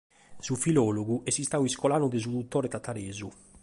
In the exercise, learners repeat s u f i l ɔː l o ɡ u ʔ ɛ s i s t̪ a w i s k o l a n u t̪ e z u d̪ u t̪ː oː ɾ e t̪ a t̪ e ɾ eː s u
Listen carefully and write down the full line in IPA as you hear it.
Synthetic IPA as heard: s u f i l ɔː l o ɡ u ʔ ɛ s i s t̪ a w i s k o l a n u d̪ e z u d̪ u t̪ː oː ɾ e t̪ a t̪ a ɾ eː z u